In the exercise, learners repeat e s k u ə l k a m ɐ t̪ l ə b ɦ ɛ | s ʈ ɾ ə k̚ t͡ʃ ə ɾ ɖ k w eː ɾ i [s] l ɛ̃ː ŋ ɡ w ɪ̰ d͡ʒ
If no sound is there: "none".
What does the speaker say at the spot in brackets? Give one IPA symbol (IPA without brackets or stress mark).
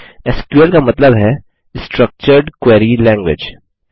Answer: none